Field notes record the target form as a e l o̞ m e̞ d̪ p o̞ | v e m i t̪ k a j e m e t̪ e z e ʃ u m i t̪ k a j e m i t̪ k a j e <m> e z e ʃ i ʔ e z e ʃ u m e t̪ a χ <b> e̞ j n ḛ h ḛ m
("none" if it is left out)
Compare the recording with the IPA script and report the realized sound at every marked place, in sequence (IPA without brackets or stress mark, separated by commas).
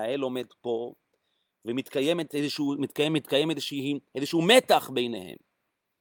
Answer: m, b